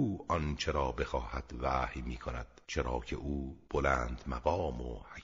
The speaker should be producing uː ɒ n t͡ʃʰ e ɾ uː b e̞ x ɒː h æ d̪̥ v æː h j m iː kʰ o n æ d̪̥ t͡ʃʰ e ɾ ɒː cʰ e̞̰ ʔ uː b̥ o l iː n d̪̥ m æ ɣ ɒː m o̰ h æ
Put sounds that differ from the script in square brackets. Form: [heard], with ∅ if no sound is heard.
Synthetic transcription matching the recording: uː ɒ n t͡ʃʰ e ɾ [ɒː] b e̞ x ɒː h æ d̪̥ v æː h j m iː kʰ o n æ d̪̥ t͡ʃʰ e ɾ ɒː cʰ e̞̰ ʔ uː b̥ o l [æː] n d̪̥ m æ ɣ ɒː m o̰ h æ